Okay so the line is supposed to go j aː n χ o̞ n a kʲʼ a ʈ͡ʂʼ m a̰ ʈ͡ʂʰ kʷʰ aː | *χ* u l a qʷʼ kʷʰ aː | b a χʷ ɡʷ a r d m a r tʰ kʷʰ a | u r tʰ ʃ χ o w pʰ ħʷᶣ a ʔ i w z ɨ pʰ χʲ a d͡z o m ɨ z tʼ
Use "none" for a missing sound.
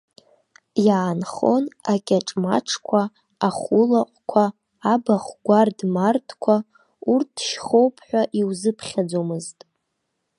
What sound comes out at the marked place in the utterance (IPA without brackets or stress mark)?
χ